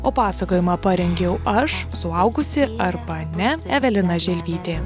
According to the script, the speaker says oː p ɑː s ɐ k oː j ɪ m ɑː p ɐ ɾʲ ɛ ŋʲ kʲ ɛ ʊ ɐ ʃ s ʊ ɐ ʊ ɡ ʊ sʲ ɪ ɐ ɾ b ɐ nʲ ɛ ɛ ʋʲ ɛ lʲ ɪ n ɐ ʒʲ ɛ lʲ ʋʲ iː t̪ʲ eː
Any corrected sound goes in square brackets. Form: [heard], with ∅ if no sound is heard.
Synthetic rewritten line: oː p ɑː s ɐ k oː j ɪ m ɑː p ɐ ɾʲ ɛ ŋʲ [ɡʲ] ɛ ʊ ɐ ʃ s ʊ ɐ ʊ ɡ ʊ sʲ ɪ ɐ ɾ b ɐ nʲ ɛ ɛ ʋʲ ɛ lʲ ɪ n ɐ ʒʲ ɛ lʲ ʋʲ iː t̪ʲ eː